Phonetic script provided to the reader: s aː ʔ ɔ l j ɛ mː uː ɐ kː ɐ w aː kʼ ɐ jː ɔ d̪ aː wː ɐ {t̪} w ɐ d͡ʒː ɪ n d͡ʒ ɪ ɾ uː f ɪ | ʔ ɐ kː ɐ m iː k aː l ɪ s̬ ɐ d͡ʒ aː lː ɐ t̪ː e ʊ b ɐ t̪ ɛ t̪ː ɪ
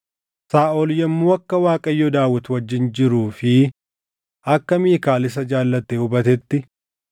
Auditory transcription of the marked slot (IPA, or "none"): t̪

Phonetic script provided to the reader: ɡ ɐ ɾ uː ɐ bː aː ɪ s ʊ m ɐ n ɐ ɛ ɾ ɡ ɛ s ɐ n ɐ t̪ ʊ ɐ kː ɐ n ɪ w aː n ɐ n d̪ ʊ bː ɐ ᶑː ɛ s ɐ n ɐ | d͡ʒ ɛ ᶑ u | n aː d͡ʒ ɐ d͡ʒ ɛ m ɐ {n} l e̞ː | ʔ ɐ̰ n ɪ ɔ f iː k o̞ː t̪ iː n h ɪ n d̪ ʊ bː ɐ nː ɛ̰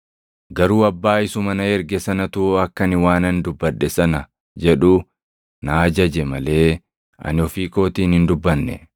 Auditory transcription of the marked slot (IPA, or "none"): none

